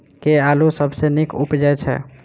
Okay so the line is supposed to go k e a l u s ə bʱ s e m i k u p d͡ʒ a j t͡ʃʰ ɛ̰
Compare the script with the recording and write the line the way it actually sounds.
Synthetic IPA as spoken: k e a l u s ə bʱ s e n i k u p d͡ʒ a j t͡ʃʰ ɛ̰